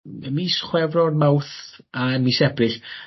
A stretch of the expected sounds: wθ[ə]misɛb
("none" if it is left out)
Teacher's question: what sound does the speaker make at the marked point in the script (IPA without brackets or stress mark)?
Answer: a